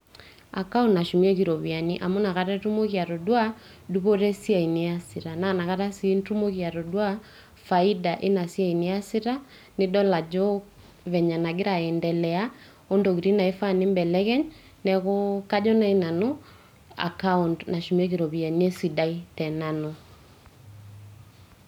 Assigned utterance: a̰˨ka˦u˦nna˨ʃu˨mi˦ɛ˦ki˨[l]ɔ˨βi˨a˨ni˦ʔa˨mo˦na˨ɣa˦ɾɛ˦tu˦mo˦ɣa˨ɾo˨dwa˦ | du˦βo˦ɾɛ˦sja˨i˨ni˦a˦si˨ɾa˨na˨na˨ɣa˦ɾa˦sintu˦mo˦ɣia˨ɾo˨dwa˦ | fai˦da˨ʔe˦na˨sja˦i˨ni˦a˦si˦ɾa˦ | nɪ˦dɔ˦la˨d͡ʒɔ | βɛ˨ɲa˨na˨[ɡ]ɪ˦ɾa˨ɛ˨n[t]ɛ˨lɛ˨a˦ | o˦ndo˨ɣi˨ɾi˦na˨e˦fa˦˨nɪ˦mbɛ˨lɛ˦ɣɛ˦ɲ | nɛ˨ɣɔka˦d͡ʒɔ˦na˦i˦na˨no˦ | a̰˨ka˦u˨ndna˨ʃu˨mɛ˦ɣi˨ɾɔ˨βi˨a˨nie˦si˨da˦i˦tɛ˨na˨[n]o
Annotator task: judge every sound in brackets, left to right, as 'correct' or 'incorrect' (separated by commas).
incorrect, correct, incorrect, correct